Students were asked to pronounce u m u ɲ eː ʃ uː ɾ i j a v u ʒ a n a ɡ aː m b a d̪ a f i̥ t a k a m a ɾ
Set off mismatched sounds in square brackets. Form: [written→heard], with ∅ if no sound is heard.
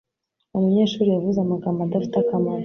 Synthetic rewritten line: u m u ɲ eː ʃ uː ɾ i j a v u [ʒ→z] a [n→m] a ɡ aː m b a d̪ a f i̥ t a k a m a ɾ

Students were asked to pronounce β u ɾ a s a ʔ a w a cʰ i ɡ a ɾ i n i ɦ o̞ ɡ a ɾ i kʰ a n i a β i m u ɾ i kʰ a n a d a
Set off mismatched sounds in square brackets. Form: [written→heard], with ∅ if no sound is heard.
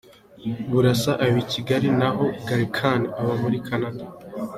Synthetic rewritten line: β u ɾ a s a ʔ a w [a→i] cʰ i ɡ a ɾ i n [i→a] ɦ o̞ ɡ a ɾ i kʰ a n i a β [i→a] m u ɾ i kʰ a n a d a

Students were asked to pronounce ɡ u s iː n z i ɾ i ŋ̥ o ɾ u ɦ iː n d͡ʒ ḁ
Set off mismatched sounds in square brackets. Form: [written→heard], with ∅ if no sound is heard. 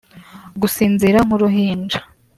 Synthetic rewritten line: ɡ u s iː n z i ɾ [i→a] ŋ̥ [o→u] ɾ u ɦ iː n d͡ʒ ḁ

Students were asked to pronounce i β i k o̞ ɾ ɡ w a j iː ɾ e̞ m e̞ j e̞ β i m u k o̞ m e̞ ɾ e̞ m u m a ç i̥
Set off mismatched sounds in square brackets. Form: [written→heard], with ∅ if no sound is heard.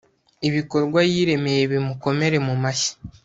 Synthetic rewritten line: i β i k o̞ ɾ ɡ w a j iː ɾ e̞ m e̞ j e̞ β i m u k o̞ m e̞ ɾ e̞ m u m a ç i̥

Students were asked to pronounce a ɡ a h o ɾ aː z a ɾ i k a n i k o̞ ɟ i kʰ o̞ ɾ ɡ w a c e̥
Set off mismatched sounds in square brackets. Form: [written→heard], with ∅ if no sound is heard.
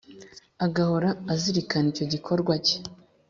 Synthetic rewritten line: a ɡ a h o ɾ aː z [a→i] ɾ i k a n i [k→c] o̞ ɟ i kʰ o̞ ɾ ɡ w a c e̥

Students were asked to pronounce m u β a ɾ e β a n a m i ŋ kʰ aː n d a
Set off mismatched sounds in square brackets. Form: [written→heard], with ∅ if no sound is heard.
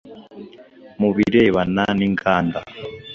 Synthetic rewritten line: m u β [a→i] ɾ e β a n a [m→n] i ŋ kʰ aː n d a

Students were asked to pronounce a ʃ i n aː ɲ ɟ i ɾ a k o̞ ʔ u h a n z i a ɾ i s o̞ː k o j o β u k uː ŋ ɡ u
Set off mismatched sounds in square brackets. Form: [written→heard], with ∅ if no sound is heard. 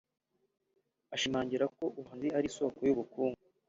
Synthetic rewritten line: a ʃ i [n→m] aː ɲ ɟ i ɾ a k o̞ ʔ u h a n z i a ɾ i s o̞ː k o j [o→u] β u k uː ŋ ɡ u

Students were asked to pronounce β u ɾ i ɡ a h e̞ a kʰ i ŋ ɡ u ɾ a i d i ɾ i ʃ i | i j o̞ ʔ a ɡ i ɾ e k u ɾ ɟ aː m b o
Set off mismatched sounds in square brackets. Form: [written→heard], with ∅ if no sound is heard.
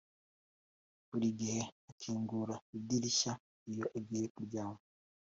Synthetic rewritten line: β u ɾ i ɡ [a→i] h e̞ a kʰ [i→iː] ŋ ɡ u ɾ a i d i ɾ i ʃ [i→a] | i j o̞ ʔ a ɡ i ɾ e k u ɾ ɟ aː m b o

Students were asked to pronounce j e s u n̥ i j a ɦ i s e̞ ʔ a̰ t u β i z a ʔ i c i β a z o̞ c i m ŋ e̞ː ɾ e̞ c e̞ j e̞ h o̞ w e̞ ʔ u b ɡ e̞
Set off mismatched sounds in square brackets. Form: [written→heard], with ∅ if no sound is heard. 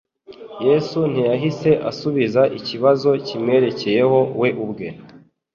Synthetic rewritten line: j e s u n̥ i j a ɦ i s e̞ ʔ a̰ [t→s] u β i z a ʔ i c i β a z o̞ c i m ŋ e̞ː ɾ e̞ c e̞ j e̞ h o̞ w e̞ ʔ u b ɡ e̞

